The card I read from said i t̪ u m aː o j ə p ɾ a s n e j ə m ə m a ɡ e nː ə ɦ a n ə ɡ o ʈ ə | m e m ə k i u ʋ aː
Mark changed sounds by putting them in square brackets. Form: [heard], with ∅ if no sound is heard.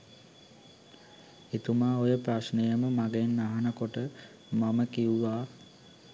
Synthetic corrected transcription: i t̪ u m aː o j ə p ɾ a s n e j ə m ə m a ɡ e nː [a] ɦ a n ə [k] o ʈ ə | m [a] m ə k i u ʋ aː